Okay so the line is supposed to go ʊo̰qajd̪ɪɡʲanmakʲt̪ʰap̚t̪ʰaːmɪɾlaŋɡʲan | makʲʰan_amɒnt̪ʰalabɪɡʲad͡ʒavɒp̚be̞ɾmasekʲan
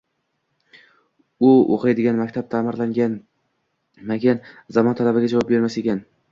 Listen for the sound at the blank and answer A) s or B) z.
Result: B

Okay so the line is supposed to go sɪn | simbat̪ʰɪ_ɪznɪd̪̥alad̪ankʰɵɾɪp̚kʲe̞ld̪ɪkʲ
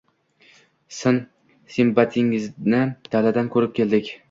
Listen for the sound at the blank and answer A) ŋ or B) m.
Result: A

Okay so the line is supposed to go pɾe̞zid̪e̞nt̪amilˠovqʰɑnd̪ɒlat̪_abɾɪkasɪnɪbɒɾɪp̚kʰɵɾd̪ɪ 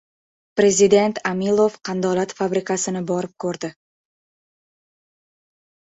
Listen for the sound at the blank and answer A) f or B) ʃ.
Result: A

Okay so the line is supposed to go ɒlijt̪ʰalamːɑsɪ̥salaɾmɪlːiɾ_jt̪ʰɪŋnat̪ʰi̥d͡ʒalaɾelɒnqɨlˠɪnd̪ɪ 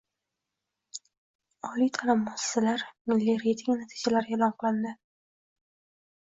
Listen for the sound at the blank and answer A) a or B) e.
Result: B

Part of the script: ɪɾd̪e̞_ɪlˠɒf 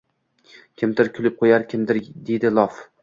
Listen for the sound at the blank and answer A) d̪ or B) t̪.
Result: A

